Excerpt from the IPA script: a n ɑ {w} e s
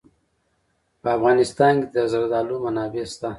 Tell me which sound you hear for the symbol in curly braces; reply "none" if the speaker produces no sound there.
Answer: b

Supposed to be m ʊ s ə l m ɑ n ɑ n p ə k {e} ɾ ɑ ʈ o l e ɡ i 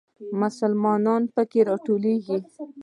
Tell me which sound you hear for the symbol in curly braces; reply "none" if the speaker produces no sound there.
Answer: e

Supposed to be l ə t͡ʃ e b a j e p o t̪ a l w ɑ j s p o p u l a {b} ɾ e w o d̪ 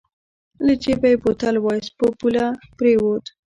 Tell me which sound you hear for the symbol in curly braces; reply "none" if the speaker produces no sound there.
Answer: p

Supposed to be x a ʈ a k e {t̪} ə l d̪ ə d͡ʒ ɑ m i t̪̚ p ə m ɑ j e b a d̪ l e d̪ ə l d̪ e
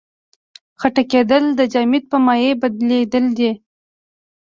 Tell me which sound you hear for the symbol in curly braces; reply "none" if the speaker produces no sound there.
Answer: d̪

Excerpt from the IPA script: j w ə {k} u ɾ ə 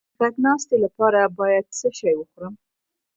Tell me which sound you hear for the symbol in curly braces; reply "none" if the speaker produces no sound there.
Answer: x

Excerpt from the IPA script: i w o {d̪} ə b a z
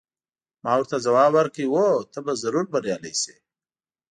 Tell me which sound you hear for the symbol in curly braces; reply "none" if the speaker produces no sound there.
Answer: t̪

